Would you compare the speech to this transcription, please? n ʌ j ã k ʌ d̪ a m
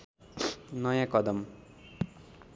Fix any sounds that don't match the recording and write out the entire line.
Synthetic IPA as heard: n ʌ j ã k ʌ d̪ ʌ m